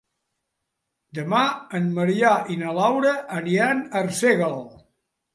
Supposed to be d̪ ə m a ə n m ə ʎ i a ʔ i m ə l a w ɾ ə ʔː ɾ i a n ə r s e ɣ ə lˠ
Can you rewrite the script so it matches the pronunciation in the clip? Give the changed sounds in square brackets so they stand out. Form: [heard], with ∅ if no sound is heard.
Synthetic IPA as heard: d̪ ə m a ə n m ə [ɾ] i a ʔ i [n] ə l a w ɾ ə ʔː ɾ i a n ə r s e ɣ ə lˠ